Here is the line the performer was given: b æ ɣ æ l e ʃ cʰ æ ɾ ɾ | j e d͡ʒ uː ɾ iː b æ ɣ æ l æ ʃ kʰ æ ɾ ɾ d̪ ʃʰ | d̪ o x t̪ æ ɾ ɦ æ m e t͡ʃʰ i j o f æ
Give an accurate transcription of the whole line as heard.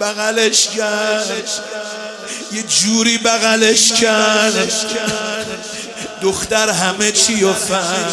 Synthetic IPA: b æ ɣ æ l e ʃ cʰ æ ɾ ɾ | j e d͡ʒ uː ɾ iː b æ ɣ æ l e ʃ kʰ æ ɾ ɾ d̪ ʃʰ | d̪ o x t̪ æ ɾ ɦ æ m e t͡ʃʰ i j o f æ